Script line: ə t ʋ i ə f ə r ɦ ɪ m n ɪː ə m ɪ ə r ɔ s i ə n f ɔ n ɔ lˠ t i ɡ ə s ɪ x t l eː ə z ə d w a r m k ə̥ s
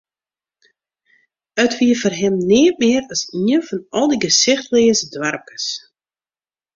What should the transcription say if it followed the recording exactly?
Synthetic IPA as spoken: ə t ʋ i ə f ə r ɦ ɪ m n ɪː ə m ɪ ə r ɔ s i ə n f ɔ n ɔ lˠ d i ɡ ə s ɪ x t l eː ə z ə d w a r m k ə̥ s